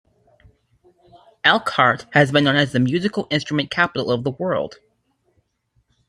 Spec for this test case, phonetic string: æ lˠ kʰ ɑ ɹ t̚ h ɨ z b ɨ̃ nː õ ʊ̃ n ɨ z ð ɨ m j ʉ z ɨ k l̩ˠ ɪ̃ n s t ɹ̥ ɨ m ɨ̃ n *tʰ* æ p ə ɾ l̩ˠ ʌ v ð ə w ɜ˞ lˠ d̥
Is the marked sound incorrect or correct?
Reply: incorrect